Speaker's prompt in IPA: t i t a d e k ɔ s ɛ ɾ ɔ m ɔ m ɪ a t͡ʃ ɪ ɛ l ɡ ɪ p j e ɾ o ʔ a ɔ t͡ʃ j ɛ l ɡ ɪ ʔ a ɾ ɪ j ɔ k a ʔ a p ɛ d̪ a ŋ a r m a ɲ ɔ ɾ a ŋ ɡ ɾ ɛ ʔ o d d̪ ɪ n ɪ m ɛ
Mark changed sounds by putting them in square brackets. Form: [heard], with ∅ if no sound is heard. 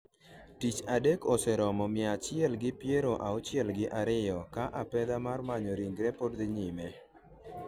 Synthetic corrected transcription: t i [t͡ʃ] a d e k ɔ s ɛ ɾ ɔ m ɔ m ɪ a t͡ʃ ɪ ɛ l ɡ ɪ p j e ɾ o ʔ a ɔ t͡ʃ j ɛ l ɡ ɪ ʔ a ɾ ɪ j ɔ k a ʔ a p ɛ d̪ a [m] a r m a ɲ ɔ ɾ [i] ŋ ɡ ɾ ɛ [p] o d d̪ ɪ [ɲ] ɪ m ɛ